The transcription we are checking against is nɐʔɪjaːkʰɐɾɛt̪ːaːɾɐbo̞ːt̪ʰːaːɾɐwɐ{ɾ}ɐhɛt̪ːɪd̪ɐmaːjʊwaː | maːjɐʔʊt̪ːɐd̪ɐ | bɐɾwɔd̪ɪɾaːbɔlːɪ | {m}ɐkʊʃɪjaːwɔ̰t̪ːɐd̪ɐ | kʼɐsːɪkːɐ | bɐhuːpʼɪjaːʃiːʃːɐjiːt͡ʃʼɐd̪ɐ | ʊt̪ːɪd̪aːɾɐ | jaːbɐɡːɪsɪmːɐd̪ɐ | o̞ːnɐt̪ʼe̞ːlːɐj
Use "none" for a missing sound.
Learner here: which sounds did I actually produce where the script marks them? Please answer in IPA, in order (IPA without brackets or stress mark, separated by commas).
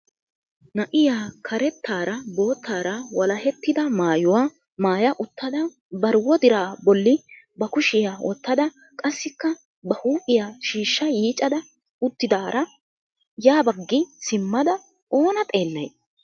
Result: l, b